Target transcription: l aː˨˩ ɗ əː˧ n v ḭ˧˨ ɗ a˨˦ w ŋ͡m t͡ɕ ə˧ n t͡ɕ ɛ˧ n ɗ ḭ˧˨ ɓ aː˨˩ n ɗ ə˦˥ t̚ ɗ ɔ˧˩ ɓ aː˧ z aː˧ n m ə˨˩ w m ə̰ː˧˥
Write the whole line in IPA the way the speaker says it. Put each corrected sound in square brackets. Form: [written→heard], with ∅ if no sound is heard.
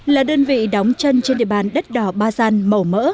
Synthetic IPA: l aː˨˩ ɗ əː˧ n v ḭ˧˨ ɗ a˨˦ w ŋ͡m t͡ɕ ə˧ n t͡ɕ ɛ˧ n ɗ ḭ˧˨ ɓ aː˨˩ n ɗ ə˦˥ t̚ ɗ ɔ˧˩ ɓ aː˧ z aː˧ n m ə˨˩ w m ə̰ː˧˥